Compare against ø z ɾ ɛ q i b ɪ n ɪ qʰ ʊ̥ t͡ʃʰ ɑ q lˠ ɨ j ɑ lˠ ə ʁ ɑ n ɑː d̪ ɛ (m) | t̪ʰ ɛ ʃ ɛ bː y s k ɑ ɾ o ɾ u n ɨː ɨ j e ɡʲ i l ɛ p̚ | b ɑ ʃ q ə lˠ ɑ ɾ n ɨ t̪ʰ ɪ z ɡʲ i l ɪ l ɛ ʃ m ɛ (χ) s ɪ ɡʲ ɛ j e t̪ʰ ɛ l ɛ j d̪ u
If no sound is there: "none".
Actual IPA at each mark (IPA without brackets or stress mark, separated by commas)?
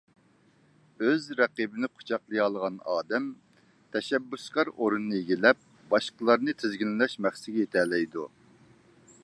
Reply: m, χ